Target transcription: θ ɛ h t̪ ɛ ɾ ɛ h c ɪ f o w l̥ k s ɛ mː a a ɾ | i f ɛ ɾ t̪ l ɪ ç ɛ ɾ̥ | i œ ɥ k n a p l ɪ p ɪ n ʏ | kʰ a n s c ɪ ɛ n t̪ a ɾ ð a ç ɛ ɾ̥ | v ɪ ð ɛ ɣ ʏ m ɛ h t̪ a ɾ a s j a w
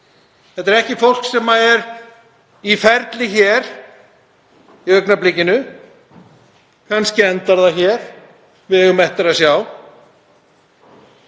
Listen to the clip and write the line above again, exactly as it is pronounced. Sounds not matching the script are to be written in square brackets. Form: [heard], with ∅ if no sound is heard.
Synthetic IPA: θ ɛ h t̪ ɛ ɾ ɛ h c ɪ f o w l̥ k s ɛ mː a [ɛ] ɾ | i f ɛ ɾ t̪ l ɪ ç ɛ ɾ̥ | i œ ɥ k n a p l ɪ [c] ɪ n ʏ | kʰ a n s c ɪ ɛ n t̪ a ɾ ð a ç ɛ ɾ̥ | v ɪ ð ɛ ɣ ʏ m ɛ h t̪ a ɾ a s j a w